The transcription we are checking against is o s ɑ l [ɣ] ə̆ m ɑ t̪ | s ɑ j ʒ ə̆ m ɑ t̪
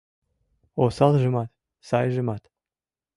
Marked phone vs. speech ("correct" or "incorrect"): incorrect